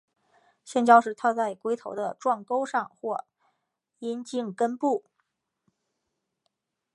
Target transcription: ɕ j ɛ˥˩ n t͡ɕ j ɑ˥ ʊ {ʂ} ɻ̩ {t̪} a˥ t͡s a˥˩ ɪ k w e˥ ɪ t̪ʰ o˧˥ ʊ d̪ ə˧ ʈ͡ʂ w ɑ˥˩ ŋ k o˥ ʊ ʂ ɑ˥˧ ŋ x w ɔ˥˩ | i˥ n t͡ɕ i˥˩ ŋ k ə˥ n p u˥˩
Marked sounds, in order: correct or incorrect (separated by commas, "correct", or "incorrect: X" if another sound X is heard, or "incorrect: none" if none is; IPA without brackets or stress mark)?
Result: correct, incorrect: t̪ʰ